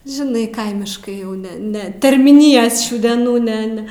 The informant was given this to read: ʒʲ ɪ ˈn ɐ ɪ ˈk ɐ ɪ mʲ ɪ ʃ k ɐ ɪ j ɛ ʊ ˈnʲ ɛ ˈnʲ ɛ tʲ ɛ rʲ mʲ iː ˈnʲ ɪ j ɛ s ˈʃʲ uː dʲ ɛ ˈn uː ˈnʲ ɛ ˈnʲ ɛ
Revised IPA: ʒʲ ɪ ˈn ɐ ɪ ˈk ɐ ɪ mʲ ɪ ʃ k ɐ ɪ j ɛ ʊ ˈnʲ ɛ ˈnʲ ɛ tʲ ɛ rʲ mʲ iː ˈnʲ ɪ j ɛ s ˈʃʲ uː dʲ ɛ ˈn uː ˈnʲ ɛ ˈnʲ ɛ